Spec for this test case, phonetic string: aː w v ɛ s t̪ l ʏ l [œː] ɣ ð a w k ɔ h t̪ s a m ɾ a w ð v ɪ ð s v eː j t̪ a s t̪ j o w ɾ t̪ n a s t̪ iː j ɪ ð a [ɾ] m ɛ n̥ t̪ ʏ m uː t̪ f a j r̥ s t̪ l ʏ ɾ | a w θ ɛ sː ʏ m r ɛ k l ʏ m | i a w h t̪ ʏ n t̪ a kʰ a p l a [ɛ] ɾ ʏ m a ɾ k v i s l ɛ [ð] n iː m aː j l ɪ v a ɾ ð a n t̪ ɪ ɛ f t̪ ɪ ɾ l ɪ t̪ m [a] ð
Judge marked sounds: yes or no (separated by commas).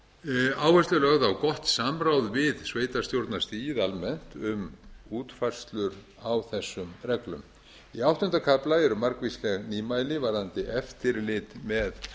no, no, yes, no, no